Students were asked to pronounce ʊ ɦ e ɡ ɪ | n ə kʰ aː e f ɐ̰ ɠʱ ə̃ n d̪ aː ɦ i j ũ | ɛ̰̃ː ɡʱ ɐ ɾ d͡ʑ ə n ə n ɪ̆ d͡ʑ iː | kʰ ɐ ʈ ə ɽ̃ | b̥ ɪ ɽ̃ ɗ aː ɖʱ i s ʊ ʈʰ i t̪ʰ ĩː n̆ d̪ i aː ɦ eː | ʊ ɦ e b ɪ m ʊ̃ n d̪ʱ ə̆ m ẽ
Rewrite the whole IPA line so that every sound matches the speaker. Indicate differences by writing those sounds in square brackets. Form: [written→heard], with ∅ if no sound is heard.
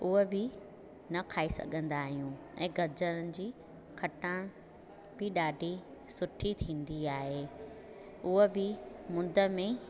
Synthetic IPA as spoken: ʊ ɦ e [ɡ→b] ɪ | n [ə→ɐ] kʰ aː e [f→s] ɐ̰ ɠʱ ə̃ n d̪ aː ɦ i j ũ | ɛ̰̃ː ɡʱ ɐ ɾ d͡ʑ ə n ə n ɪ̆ d͡ʑ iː | kʰ ɐ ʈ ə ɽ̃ | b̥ ɪ [ɽ̃→∅] ɗ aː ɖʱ i s ʊ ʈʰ i t̪ʰ ĩː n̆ d̪ i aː ɦ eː | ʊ ɦ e b ɪ m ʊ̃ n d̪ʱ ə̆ m ẽ